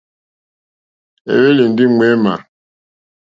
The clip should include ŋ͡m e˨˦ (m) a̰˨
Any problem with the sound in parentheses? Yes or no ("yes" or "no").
no